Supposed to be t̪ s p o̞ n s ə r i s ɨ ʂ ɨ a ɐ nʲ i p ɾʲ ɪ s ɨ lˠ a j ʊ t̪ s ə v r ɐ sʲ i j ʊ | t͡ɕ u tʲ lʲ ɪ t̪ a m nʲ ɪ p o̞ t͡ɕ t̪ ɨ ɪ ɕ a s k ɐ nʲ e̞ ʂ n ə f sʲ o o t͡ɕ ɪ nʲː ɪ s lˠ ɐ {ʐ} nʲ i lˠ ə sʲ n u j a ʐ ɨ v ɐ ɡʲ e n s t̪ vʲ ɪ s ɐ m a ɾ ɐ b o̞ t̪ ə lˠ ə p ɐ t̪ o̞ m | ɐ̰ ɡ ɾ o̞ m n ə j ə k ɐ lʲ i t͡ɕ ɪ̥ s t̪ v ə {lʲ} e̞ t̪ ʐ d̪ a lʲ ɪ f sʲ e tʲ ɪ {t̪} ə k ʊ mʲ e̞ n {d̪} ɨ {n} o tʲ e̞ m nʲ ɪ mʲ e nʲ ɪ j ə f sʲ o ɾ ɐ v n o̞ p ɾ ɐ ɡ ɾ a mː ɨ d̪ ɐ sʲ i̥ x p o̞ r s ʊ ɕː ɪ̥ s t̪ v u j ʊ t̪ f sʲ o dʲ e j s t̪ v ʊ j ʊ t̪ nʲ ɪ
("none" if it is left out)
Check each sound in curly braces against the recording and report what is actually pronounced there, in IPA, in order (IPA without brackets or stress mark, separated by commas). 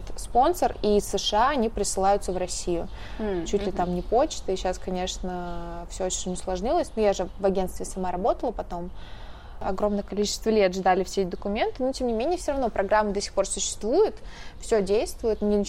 ʐ, lʲ, d̪, t̪, n